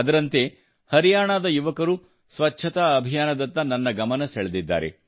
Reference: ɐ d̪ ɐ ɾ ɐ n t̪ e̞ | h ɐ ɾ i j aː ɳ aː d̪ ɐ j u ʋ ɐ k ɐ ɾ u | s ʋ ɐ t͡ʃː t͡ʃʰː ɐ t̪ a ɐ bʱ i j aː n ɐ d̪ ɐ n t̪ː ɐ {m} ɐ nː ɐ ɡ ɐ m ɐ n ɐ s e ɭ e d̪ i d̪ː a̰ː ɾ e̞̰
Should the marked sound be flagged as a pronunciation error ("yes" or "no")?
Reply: yes